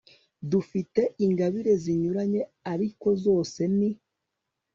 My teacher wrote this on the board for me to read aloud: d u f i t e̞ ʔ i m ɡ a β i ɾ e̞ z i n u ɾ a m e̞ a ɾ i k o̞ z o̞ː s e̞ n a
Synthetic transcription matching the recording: d u f i t e̞ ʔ i ŋ ɡ a β i ɾ e̞ z i ɲ u ɾ a ɲ e̞ a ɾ i k o̞ z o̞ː s e̞ n i